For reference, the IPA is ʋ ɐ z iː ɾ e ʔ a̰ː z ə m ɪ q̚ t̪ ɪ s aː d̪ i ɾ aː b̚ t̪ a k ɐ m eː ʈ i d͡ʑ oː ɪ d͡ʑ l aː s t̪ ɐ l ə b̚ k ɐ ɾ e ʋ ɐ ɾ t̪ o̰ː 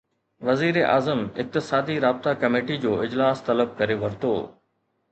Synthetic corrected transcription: ʋ ɐ z iː ɾ e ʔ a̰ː z ə m ɪ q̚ t̪ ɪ s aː d̪ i ɾ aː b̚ t̪ a k ɐ m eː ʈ i d͡ʑ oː ɪ d͡ʑ l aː s t̪ ɐ l ə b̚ k ɐ ɾ e ʋ ɐ ɾ t̪ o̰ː